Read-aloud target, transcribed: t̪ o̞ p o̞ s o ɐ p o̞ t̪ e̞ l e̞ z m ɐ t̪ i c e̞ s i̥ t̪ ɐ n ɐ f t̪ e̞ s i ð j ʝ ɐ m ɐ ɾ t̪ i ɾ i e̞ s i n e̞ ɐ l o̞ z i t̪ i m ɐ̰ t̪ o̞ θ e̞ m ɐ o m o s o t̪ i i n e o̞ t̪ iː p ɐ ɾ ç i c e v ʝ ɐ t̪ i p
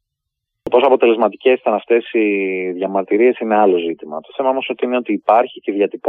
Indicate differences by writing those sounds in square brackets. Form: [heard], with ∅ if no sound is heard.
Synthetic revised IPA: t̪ o̞ p o̞ s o ɐ p o̞ t̪ e̞ l e̞ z m ɐ t̪ i c e̞ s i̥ t̪ ɐ n ɐ f t̪ e̞ s i ð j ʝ ɐ m ɐ ɾ t̪ i ɾ i e̞ s i n e̞ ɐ l o̞ z i t̪ i m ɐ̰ t̪ o̞ θ e̞ m ɐ o m o s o t̪ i i n e o̞ t̪ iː p ɐ ɾ ç i c e [ð] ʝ ɐ t̪ i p